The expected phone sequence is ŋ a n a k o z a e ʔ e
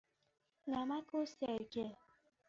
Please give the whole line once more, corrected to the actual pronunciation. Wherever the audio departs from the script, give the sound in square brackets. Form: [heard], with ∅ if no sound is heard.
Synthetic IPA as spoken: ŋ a [m] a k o [s] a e [k] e